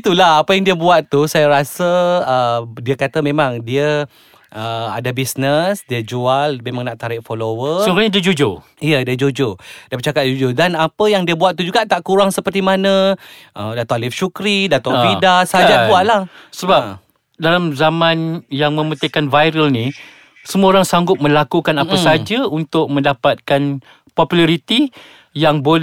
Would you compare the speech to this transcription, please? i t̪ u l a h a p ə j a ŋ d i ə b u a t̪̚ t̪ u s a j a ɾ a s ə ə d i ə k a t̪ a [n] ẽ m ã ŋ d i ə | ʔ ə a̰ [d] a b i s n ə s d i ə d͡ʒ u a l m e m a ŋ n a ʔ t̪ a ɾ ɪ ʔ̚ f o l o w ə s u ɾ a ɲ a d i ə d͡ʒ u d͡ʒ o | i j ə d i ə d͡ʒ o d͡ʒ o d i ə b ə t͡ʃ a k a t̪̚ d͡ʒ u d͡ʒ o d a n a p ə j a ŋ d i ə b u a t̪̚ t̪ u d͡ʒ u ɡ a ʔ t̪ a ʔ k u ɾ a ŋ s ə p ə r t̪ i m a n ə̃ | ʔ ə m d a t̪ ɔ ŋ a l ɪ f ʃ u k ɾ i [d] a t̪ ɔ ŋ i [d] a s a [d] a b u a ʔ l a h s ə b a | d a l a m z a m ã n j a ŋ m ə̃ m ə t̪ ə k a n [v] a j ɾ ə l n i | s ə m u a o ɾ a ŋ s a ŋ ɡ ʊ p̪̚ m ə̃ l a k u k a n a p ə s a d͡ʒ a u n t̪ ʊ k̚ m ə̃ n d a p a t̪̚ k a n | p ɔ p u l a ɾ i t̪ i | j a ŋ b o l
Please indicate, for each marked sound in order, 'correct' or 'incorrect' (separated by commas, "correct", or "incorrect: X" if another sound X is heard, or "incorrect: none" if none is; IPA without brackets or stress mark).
incorrect: m, correct, correct, correct, incorrect: d͡ʒ, correct